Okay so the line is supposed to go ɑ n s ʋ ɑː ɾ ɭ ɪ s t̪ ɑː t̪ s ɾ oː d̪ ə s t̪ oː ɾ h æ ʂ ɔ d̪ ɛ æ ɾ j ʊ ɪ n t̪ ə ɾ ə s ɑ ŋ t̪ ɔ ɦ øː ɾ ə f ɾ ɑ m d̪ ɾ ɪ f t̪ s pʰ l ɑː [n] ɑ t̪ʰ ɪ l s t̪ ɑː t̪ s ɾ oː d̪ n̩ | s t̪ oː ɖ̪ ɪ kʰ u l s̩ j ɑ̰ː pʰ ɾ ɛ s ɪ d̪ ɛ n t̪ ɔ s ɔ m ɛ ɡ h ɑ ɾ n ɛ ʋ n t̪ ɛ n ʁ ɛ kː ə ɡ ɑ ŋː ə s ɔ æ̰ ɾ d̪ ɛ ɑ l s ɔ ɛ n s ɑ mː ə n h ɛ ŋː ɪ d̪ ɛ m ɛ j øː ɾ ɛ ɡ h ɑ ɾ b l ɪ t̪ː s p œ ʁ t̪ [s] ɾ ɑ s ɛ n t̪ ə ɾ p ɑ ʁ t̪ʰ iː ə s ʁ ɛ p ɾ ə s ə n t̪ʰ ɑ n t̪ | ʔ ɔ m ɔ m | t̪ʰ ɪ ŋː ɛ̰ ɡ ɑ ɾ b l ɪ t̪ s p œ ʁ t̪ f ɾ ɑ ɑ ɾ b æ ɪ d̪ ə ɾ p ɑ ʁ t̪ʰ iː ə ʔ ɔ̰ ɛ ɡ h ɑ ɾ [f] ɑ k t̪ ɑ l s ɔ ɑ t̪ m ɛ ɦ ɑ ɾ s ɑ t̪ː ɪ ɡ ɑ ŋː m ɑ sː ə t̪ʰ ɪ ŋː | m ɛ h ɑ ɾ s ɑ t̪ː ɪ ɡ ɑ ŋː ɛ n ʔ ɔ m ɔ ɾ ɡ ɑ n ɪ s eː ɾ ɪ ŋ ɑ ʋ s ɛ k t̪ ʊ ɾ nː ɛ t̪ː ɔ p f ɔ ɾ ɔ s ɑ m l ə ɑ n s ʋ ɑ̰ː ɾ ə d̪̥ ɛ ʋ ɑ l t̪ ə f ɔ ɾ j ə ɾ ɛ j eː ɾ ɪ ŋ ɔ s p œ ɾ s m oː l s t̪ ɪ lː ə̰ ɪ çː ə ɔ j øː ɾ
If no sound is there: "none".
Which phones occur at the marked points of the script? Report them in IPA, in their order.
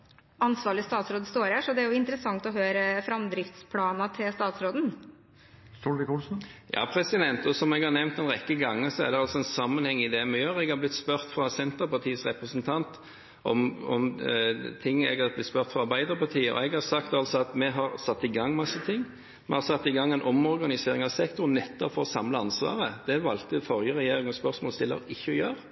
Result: n, f, s

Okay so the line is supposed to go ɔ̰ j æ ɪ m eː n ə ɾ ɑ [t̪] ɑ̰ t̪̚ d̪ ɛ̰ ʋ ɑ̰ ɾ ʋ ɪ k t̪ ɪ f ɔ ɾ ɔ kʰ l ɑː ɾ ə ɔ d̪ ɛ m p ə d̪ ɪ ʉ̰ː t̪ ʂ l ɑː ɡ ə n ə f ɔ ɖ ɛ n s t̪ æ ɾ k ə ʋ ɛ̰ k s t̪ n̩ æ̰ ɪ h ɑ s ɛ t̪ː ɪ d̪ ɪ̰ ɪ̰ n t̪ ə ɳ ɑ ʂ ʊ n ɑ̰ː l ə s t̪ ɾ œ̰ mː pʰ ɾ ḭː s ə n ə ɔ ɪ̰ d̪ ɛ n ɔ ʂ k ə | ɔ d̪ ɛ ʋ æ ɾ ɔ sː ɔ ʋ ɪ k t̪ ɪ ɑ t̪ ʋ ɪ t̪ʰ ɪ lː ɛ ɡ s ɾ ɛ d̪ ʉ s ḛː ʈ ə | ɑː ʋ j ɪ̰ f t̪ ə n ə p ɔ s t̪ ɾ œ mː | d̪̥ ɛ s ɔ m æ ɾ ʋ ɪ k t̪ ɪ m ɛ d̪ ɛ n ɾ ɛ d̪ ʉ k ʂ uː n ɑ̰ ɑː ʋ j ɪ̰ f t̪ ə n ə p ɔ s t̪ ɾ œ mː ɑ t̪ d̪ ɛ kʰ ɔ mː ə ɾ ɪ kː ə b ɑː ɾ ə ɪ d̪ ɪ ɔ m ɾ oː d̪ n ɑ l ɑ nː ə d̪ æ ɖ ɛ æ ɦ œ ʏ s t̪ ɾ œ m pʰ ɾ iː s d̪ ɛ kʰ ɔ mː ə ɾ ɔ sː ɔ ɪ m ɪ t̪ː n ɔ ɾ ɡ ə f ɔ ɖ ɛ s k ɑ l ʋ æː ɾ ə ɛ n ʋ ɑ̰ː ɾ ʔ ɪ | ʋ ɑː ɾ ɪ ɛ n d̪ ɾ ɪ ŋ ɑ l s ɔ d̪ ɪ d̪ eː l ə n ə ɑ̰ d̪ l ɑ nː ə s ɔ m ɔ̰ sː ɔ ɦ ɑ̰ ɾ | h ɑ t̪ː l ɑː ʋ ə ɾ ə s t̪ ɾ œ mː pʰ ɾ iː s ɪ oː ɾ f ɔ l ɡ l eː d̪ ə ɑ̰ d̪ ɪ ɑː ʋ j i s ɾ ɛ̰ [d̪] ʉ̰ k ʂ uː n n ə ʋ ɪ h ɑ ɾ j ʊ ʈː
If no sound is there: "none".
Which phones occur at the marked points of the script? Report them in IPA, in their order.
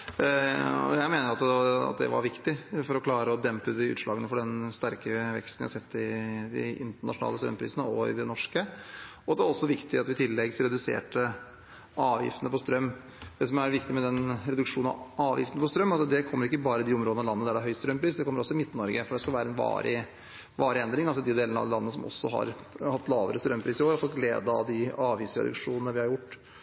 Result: t̪, d̪

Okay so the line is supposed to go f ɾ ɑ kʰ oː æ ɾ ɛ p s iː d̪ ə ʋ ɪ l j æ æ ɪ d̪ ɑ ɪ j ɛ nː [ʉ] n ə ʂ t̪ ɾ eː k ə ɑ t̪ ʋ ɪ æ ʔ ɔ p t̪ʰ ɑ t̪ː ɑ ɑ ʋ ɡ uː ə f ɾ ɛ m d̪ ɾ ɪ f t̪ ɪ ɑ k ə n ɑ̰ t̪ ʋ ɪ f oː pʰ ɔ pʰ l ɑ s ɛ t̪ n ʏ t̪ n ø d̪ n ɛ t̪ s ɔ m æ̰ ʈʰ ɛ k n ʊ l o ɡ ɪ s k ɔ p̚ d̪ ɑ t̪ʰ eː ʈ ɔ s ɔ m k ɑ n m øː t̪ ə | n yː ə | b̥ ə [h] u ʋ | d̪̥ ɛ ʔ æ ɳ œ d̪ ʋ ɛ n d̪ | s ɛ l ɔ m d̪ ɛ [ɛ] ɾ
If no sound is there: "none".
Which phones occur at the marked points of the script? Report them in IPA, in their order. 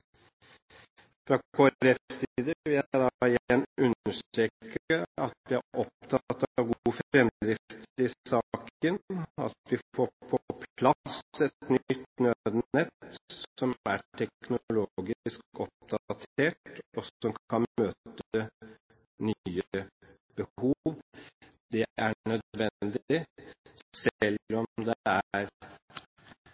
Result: ʉ, h, æ

